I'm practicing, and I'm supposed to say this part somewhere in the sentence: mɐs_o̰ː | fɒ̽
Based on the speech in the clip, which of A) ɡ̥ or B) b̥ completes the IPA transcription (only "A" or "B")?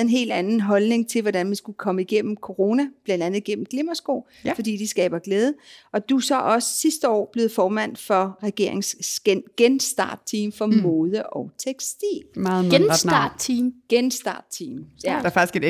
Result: A